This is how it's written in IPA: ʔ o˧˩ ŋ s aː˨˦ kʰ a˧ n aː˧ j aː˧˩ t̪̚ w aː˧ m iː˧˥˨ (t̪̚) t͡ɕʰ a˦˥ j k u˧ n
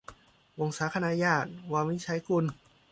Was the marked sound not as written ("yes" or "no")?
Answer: yes